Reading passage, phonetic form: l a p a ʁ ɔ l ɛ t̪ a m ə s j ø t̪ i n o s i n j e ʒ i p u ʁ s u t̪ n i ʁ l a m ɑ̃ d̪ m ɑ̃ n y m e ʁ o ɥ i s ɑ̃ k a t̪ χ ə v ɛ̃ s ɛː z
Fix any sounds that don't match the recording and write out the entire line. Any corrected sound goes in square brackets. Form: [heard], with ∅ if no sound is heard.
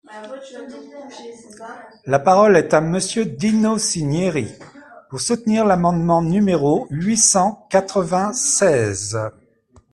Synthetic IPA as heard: l a p a ʁ ɔ l ɛ t̪ a m ə s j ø [d̪] i n o s i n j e [ʁ] i p u ʁ s u t̪ n i ʁ l a m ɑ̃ d̪ m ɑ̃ n y m e ʁ o ɥ i s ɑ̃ k a t̪ χ ə v ɛ̃ s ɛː z

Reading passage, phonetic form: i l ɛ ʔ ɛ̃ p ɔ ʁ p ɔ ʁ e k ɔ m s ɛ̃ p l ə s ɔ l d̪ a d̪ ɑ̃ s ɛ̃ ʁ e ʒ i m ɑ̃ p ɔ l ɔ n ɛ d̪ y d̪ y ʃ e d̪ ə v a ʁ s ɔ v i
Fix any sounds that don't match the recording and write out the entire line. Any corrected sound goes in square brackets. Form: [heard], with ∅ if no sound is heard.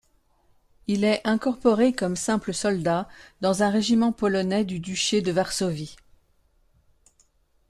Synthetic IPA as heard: i l ɛ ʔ ɛ̃ [k] ɔ ʁ p ɔ ʁ e k ɔ m s ɛ̃ p l ə s ɔ l d̪ a d̪ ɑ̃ [z] ɛ̃ ʁ e ʒ i m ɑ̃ p ɔ l ɔ n ɛ d̪ y d̪ y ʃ e d̪ ə v a ʁ s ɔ v i

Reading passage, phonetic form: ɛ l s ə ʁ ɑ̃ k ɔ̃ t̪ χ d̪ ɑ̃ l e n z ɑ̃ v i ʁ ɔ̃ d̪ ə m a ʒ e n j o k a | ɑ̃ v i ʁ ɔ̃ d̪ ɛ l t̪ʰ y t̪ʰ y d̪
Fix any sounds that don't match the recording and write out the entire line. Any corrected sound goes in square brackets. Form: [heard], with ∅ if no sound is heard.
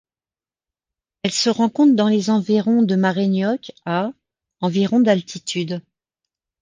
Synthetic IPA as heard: ɛ l s ə ʁ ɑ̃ k ɔ̃ t̪ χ d̪ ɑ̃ l e [∅] z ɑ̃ v i ʁ ɔ̃ d̪ ə m a [ʁ] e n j [ɔ] k a | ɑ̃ v i ʁ ɔ̃ d̪ [a] l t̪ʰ [i] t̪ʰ y d̪

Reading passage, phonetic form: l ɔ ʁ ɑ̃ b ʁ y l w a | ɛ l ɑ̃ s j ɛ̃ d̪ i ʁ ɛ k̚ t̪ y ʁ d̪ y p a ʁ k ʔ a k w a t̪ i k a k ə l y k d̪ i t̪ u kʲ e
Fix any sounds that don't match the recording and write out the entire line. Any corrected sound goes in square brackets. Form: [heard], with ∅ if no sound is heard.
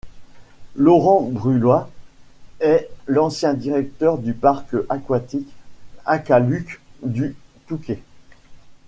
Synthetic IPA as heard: l ɔ ʁ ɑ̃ b ʁ y l w a | ɛ l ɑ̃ s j ɛ̃ d̪ i ʁ ɛ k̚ t̪ [œ] ʁ d̪ y p a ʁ k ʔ a k w a t̪ i k a k [a] l y k d̪ [y] t̪ u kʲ e

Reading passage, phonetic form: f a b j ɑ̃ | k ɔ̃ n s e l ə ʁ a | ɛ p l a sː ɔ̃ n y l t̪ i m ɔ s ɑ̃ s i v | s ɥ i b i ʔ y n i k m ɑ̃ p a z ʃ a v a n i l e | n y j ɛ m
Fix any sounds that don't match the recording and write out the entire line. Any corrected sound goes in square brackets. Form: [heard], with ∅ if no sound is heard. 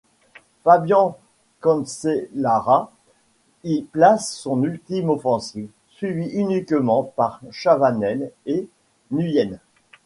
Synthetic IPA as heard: f a b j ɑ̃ | k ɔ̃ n s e l [a] ʁ a | [i] p l a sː ɔ̃ n y l t̪ i m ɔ [f] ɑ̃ s i v | s ɥ i [v] i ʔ y n i k m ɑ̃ p a [ʁ] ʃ a v a n [ɛ] l e | n y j ɛ [n]

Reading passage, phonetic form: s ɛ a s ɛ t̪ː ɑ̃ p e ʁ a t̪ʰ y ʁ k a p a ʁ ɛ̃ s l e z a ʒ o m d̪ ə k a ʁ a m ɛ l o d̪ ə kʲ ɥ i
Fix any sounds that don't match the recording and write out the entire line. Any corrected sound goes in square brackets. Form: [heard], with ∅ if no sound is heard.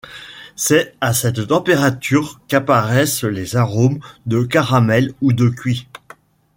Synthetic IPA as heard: s ɛ a s ɛ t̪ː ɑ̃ p e ʁ a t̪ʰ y ʁ k a p a ʁ [ɛ] s l e z a [ʁ] o m d̪ ə k a ʁ a m ɛ l [u] d̪ ə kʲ ɥ i

